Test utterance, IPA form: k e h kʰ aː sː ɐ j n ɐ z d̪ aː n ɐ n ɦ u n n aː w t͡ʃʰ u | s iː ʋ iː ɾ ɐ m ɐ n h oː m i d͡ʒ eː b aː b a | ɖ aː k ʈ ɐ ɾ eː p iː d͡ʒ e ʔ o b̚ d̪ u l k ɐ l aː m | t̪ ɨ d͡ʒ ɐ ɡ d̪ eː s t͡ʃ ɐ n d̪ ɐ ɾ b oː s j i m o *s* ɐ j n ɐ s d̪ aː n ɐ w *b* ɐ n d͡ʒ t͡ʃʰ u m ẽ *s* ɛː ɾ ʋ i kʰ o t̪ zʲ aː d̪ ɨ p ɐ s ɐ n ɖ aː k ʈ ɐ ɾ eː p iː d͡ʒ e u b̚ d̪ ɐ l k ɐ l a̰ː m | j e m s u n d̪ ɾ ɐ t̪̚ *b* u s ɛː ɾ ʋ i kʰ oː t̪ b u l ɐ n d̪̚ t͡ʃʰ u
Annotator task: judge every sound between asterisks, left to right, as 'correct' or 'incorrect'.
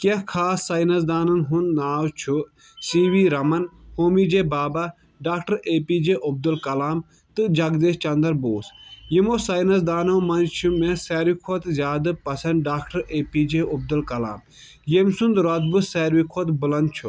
correct, incorrect, correct, correct

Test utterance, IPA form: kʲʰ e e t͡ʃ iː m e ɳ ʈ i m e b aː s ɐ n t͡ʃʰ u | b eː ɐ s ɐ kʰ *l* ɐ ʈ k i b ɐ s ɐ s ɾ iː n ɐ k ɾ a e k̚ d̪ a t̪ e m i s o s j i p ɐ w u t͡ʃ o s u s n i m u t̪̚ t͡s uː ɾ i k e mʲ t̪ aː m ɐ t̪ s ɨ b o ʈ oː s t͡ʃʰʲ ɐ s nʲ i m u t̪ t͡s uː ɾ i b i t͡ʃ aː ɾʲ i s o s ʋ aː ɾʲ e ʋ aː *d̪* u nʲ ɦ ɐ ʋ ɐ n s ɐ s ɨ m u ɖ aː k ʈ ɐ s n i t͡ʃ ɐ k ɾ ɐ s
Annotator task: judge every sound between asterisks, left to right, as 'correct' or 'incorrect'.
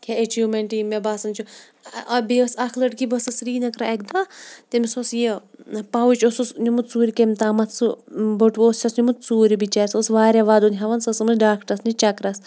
correct, correct

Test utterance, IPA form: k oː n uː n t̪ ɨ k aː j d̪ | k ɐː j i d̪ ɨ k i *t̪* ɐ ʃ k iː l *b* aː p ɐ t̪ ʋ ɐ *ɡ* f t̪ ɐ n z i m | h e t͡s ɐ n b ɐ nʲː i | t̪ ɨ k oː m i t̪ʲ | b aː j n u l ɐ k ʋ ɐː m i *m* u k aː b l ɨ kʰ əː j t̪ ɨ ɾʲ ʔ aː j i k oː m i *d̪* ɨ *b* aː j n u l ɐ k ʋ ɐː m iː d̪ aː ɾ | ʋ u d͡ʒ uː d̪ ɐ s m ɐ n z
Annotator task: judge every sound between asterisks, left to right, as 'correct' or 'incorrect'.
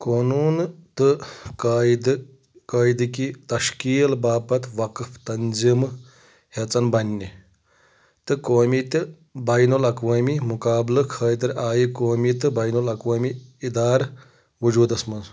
correct, correct, incorrect, correct, incorrect, correct

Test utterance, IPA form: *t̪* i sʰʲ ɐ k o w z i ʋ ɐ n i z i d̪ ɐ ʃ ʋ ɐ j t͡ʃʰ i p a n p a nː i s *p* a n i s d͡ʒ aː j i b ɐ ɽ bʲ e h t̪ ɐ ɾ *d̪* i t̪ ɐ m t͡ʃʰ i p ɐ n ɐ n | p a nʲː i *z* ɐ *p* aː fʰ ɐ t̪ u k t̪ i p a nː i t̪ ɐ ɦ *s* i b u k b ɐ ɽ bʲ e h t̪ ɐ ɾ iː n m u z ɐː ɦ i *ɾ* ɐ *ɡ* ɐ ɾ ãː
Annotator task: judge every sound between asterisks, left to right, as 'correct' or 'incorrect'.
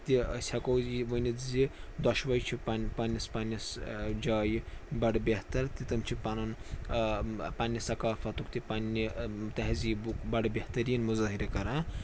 correct, correct, incorrect, incorrect, incorrect, incorrect, correct, incorrect

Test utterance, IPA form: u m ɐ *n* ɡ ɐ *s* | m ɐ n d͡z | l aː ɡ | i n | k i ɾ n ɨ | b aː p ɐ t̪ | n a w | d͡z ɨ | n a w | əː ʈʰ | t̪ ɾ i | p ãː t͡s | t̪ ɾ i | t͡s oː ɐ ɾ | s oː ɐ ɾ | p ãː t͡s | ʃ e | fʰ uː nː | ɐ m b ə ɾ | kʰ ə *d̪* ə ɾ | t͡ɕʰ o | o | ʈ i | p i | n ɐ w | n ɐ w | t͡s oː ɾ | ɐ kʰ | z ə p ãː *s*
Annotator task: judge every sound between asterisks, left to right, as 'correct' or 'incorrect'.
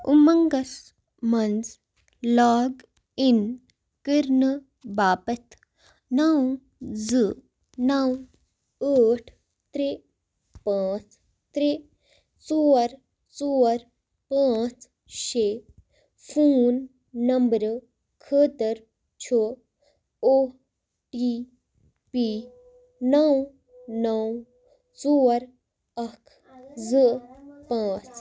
incorrect, correct, incorrect, incorrect

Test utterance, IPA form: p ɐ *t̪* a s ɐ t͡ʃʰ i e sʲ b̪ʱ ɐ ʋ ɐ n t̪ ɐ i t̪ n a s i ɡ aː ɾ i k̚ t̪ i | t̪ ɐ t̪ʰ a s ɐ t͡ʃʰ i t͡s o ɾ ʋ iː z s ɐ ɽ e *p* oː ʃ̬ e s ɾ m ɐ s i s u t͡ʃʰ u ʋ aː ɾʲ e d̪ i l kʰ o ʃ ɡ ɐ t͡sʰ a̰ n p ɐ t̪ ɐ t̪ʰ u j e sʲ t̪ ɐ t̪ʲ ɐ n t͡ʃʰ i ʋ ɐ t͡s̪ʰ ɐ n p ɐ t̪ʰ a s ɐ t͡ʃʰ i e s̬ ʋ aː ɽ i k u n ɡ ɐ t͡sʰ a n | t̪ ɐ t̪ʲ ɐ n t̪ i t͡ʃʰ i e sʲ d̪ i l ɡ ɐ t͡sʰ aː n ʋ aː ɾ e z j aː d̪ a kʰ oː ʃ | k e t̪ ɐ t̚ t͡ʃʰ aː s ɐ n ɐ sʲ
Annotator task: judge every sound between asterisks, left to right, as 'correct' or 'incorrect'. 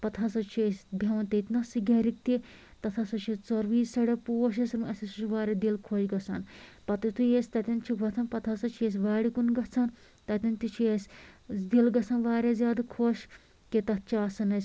incorrect, correct

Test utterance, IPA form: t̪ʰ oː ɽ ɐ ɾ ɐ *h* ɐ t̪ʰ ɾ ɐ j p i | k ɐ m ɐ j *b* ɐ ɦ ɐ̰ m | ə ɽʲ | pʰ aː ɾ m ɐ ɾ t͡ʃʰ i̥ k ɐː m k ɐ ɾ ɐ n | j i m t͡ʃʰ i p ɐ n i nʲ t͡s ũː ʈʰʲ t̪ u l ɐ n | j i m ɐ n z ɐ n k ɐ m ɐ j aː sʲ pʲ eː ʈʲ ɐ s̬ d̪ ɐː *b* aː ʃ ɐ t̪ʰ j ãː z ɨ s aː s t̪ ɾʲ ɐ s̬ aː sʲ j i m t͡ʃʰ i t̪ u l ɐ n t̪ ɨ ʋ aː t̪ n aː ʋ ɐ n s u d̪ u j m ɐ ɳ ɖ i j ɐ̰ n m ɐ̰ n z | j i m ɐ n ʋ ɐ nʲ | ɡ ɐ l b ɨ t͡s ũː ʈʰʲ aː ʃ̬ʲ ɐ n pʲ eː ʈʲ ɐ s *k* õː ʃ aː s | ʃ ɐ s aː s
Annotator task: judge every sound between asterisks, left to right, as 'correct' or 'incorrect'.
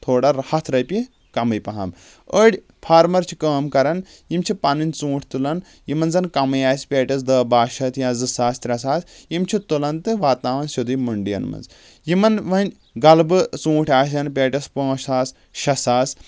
correct, incorrect, correct, incorrect

